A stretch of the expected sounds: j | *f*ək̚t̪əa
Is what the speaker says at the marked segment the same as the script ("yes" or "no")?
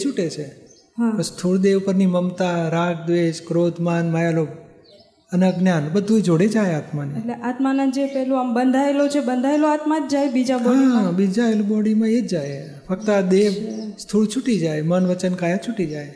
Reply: yes